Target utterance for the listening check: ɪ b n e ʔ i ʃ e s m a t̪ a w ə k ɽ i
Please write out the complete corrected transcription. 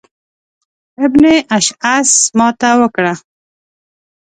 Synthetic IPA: ɪ b n e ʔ a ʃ a s m ɑ t̪ a w ə k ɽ a

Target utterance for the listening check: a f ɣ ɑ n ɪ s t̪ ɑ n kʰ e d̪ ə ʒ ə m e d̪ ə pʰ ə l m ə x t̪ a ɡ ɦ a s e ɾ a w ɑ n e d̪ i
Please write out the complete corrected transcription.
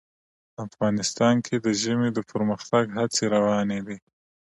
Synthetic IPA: a f ɣ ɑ n ɪ s t̪ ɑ n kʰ e d̪ ə ʒ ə m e d̪ ə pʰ ə ɾ m ə x t̪ a ɡ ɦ a t͡s e ɾ a w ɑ n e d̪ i

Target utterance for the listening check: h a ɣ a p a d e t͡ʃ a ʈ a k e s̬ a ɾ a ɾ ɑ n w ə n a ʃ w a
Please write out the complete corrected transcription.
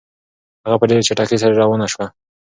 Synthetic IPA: h a ɣ a p ə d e t͡ʃ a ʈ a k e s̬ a ɾ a ɾ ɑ w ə n a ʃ w a

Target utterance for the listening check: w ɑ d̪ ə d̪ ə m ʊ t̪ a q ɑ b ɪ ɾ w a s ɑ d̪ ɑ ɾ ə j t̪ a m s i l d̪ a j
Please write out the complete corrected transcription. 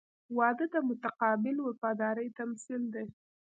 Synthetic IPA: w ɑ d̪ ə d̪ ə m ʊ t̪ a q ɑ b ɪ l w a f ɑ d̪ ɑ ɾ ə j t̪ a m s i l d̪ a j

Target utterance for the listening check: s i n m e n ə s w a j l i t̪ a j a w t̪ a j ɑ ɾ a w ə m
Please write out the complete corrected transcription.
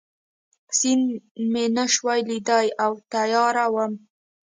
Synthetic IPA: s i n m e n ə ʃ w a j l i d̪ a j a w t̪ a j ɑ ɾ a w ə m

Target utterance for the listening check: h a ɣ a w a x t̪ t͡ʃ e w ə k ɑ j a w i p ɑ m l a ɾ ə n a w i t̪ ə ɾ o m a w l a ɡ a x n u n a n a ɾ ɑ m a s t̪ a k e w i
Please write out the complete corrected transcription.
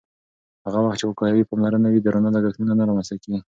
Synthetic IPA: h a ɣ a w a x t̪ t͡ʃ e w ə k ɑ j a w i p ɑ m l a ɾ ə n a w i d̪ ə ɾ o n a l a ɡ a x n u n a n a ɾ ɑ m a s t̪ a k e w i

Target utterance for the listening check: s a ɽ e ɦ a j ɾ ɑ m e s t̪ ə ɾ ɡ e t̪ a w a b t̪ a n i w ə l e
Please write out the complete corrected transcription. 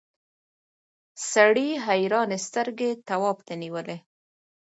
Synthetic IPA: s a ɽ i ɦ a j ɾ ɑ n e s t̪ ə ɾ ɡ e t̪ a w ɑ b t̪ a n i w ə l e

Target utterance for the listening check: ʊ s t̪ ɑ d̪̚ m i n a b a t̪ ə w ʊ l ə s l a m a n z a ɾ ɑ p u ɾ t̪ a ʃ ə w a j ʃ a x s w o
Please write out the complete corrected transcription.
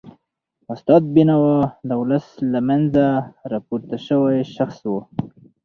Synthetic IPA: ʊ s t̪ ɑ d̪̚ b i n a w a d̪ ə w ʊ l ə s l a m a n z a ɾ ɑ p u ɾ t̪ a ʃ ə w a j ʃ a x s w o

